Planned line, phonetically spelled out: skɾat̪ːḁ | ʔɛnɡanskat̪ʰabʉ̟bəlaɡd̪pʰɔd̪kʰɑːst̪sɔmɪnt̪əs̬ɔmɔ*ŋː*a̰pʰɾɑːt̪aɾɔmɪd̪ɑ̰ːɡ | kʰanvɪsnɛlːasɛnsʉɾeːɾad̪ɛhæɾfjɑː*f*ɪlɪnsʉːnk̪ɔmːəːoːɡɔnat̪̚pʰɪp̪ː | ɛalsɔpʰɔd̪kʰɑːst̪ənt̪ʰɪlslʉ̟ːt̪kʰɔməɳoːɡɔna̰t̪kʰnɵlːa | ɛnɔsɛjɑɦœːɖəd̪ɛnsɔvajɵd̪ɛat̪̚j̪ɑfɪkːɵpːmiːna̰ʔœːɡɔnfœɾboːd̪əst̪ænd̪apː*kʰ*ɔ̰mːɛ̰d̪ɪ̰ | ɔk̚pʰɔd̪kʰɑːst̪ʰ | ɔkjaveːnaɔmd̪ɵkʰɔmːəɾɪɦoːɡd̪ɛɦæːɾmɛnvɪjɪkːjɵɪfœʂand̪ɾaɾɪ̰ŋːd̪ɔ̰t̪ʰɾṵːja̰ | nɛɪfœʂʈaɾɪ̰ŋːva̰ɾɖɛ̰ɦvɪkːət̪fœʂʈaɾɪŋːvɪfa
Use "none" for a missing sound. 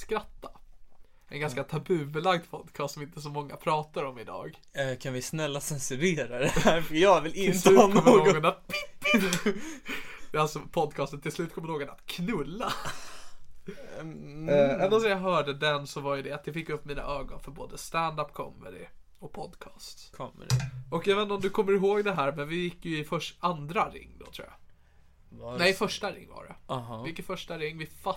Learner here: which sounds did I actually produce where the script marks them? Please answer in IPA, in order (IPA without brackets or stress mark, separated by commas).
ŋː, v, kʰ